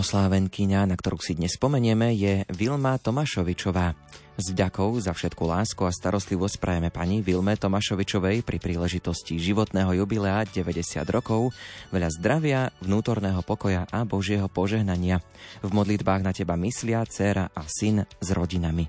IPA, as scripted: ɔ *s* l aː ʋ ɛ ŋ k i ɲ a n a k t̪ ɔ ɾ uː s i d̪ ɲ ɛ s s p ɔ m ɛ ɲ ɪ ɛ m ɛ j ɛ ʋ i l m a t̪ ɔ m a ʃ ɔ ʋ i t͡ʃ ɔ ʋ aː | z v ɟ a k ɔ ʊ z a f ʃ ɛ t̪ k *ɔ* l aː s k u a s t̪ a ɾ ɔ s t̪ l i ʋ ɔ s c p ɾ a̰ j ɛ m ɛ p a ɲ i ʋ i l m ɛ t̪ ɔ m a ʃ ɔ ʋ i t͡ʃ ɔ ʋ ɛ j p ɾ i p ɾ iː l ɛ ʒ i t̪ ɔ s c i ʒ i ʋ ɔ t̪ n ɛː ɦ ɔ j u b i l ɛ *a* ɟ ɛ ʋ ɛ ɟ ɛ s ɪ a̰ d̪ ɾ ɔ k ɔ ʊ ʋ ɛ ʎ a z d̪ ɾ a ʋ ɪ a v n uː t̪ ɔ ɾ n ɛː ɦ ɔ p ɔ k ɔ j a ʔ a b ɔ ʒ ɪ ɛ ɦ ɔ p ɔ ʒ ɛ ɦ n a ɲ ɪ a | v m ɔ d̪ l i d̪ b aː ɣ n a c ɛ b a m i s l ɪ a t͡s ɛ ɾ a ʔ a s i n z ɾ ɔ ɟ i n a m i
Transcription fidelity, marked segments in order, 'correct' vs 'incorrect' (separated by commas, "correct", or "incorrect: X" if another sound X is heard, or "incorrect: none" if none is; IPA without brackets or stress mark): correct, incorrect: u, correct